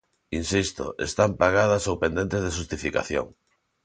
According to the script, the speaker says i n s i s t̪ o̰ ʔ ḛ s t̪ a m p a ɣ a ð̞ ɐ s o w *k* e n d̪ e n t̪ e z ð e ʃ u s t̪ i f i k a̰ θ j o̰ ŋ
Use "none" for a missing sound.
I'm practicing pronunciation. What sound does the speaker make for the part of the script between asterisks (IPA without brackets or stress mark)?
p